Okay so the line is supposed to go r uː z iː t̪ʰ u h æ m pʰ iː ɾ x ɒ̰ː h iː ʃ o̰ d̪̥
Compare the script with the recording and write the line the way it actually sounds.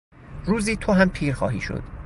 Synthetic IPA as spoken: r uː z iː t̪ʰ o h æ m pʰ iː ɾ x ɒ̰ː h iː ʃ o̰ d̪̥